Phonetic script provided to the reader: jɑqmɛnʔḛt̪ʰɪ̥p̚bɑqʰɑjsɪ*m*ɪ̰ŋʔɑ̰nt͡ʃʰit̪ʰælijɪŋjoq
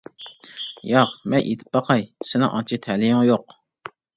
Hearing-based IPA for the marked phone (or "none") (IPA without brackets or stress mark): n